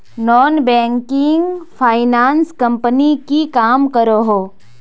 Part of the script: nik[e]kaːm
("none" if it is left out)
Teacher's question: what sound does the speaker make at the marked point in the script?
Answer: i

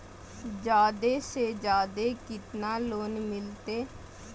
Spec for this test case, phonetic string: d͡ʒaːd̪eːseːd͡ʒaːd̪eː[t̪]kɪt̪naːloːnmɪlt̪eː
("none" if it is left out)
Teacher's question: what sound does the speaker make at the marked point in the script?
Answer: none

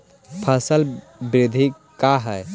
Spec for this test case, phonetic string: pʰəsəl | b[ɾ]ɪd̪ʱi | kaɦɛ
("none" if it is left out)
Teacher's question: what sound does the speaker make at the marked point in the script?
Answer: ɾ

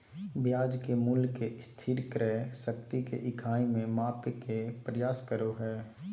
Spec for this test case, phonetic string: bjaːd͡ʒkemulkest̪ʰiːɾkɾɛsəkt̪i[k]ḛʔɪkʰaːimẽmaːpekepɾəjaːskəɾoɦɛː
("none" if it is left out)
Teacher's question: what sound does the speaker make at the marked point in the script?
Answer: k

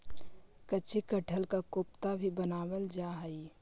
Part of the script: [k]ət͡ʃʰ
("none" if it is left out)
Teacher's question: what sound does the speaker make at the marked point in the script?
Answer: k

